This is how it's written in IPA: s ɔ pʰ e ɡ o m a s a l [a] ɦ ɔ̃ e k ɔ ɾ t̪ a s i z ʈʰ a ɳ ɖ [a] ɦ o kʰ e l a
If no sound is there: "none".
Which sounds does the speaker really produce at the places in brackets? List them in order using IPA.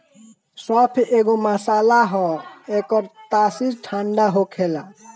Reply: a, a

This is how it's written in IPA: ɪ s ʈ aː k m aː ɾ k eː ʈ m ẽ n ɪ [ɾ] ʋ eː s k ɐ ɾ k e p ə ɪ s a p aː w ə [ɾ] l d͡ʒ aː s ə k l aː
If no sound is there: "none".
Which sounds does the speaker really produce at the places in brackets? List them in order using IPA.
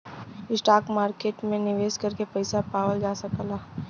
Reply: none, none

